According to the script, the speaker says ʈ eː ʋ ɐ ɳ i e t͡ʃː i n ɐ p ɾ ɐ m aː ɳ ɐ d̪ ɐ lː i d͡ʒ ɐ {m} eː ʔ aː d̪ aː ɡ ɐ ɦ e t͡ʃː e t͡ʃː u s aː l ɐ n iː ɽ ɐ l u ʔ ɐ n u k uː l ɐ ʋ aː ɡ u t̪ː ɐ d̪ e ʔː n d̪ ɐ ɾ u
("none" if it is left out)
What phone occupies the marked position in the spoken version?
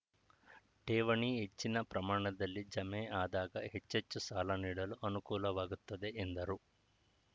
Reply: m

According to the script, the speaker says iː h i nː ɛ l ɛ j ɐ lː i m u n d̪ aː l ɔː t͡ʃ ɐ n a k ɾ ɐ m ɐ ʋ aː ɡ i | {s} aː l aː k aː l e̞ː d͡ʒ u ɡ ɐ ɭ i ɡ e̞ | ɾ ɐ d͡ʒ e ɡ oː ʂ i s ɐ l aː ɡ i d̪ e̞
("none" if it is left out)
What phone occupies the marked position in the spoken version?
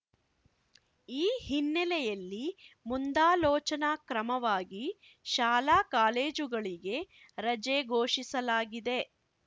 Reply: ʃ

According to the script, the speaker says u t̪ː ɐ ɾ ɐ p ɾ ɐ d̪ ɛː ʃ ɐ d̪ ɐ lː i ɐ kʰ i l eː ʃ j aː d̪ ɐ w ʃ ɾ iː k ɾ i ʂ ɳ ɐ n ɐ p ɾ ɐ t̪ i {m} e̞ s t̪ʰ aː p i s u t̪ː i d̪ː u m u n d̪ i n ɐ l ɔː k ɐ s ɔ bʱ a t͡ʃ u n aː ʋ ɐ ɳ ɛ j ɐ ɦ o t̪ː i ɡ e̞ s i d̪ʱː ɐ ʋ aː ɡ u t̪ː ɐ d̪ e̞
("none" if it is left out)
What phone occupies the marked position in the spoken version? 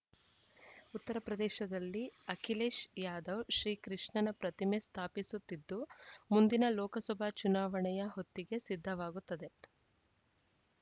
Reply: m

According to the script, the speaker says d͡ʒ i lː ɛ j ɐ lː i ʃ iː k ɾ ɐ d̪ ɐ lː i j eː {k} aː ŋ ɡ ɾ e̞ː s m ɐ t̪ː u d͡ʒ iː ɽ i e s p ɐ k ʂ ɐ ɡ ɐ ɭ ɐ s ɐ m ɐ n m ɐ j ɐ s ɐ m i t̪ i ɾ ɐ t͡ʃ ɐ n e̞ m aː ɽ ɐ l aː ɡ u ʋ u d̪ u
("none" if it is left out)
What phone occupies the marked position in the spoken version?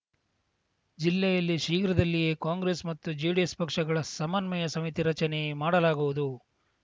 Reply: k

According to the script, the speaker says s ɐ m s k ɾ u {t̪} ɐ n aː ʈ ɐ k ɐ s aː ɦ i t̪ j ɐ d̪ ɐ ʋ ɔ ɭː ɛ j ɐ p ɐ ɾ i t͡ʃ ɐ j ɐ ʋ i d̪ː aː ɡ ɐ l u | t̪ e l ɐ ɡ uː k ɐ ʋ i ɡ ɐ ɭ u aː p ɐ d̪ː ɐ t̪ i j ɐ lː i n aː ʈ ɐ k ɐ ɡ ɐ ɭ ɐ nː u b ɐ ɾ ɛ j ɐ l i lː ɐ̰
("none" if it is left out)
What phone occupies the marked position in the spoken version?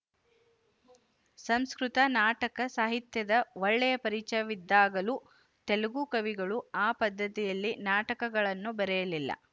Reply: t̪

